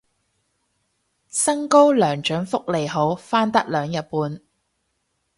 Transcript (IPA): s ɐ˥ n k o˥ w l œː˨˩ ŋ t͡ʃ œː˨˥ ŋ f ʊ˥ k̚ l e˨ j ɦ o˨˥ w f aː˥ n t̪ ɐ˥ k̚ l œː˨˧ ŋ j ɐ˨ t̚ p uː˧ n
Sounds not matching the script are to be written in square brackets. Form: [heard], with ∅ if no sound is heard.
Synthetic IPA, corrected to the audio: s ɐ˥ [ŋ] k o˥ w l œː˨˩ ŋ t͡ʃ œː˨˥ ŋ f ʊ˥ k̚ l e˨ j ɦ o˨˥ w f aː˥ n t̪ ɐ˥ k̚ l œː˨˧ ŋ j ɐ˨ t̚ p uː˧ n